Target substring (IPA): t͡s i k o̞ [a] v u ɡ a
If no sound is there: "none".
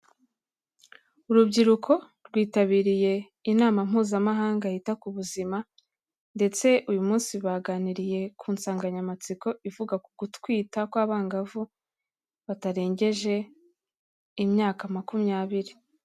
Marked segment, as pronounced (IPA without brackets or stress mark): i